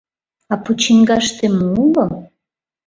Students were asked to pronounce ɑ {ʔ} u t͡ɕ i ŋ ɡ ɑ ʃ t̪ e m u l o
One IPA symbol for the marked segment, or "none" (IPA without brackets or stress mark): p